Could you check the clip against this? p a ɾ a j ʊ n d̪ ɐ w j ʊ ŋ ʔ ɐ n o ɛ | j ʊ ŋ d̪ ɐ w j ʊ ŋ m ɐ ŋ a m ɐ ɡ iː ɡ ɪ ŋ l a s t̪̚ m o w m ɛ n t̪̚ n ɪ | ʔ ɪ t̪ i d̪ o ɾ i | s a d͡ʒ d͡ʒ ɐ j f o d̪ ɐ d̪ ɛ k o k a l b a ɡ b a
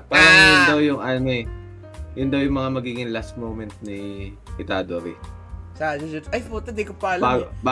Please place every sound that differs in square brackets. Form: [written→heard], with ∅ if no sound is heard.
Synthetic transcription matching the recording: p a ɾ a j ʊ n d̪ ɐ w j ʊ ŋ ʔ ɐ n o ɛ | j ʊ [ŋ→n] d̪ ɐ w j ʊ ŋ m ɐ ŋ a m ɐ ɡ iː ɡ ɪ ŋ l a s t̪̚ m o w m ɛ n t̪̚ n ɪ | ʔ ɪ t̪ [i→a] d̪ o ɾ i | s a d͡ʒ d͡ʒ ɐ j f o [d̪→t̪] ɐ d̪ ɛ k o [k→p] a l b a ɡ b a